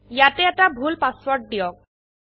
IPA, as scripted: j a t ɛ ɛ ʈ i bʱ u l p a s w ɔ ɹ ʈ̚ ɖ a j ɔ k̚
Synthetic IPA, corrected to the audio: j a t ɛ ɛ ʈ a bʱ u l p a s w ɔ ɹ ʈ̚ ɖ i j ɔ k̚